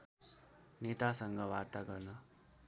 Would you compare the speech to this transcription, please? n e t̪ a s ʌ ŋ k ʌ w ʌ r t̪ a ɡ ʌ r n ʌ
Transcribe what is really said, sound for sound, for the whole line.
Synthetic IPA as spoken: n e t̪ a s ʌ ŋ ɡ ʌ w a r t̪ a ɡ ʌ r n ʌ